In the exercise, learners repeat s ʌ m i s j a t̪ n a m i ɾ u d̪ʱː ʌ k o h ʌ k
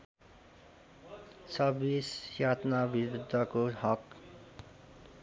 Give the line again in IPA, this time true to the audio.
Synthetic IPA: s ʌ b i s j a t̪ n a b i ɾ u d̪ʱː ʌ k o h ʌ k